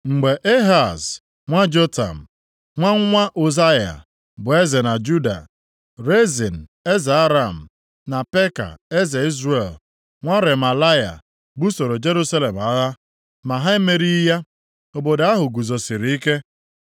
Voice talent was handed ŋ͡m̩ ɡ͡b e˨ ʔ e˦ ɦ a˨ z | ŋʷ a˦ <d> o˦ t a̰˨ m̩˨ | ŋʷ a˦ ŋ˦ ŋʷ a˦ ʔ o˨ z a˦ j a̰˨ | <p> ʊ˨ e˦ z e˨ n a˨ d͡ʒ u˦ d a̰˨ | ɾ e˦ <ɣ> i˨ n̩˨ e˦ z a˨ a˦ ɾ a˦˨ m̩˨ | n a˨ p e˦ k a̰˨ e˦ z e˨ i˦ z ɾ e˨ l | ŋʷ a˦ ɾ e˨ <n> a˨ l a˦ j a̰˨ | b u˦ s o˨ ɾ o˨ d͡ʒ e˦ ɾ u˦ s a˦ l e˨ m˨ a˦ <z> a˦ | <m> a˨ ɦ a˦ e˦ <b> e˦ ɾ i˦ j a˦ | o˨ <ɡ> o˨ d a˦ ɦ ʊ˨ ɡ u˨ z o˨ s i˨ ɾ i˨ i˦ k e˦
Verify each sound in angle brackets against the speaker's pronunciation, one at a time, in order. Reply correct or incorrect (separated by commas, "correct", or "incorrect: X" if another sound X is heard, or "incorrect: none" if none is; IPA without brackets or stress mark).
incorrect: d͡ʒ, incorrect: b, incorrect: z, incorrect: m, incorrect: ɣ, correct, incorrect: m, incorrect: b